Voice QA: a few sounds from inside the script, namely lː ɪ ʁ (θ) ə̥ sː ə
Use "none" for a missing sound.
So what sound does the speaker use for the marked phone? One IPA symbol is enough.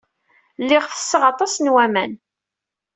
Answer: f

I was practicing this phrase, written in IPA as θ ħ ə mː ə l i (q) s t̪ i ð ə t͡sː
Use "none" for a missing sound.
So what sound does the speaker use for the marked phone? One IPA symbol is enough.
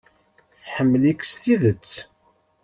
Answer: k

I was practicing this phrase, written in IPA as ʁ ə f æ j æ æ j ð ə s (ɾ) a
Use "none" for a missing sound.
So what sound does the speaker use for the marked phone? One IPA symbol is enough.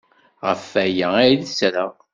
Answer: ɾ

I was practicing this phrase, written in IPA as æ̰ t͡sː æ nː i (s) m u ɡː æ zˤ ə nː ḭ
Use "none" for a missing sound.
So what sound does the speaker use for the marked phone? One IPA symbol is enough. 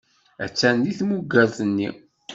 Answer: θ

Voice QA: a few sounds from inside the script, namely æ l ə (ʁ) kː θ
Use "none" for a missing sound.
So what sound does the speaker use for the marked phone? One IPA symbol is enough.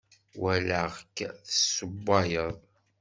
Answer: ʁ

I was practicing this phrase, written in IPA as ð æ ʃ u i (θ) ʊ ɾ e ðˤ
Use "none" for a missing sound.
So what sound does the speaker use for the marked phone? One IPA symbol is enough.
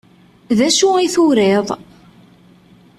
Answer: θ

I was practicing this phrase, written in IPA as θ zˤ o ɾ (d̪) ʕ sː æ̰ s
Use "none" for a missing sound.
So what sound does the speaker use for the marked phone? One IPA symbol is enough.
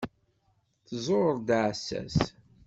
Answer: d̪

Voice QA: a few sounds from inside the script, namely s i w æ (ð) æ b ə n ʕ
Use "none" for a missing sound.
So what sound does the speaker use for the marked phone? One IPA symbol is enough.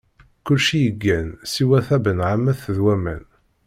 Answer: θ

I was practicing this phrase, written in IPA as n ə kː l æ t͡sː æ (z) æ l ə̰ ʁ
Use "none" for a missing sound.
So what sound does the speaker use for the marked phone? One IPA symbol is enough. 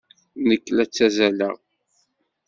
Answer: z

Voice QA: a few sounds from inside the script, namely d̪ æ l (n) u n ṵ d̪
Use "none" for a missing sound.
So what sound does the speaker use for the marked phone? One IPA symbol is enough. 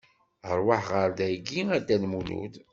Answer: m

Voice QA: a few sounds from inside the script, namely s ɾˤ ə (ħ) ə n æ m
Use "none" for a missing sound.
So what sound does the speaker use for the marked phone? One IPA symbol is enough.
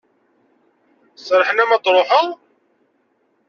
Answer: ħ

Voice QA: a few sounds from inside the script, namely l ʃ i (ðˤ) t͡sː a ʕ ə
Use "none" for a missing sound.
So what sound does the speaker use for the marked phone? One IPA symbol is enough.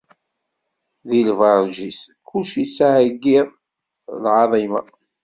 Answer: none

